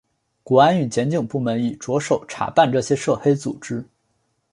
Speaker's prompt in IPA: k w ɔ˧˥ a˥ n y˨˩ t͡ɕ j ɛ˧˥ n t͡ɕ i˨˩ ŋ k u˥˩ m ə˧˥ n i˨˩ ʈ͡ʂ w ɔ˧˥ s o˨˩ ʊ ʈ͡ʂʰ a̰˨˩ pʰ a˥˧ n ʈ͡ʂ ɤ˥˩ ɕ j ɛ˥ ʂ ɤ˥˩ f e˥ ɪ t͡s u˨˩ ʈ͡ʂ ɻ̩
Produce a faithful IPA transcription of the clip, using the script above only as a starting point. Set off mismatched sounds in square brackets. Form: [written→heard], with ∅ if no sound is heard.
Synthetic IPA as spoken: k w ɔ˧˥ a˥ n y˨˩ t͡ɕ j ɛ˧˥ n t͡ɕ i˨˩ ŋ [k→p] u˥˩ m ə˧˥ n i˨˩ ʈ͡ʂ w ɔ˧˥ [s→ʂ] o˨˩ ʊ ʈ͡ʂʰ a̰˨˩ [pʰ→p] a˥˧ n ʈ͡ʂ ɤ˥˩ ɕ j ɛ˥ ʂ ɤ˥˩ [f→x] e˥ ɪ t͡s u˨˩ ʈ͡ʂ ɻ̩